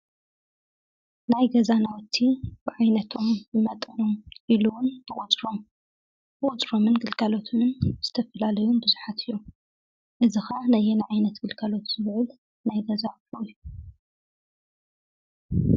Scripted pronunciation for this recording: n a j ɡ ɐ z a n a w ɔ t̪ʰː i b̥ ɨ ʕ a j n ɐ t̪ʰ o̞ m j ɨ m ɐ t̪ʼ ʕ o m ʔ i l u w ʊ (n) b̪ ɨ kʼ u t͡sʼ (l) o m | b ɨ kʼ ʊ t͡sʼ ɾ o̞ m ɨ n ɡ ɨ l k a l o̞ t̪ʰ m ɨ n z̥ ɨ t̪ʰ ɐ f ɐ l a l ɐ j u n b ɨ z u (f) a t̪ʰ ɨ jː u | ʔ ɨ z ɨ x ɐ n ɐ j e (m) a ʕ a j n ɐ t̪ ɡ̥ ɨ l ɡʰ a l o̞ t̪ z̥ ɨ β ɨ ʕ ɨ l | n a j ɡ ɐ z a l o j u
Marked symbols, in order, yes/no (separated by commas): yes, no, no, no